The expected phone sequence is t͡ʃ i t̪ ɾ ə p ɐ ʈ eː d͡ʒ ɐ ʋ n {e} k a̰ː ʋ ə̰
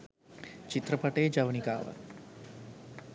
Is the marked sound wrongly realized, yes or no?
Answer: yes